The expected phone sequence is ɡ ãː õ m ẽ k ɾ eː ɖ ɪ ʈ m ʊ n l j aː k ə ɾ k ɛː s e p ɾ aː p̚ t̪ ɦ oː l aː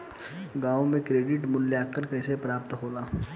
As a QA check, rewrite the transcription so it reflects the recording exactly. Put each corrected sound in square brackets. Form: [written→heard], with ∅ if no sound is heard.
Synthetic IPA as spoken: ɡ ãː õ m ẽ k ɾ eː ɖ ɪ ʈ m ʊ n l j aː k ə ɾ k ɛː s e p ɾ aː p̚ t̪ ɦ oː l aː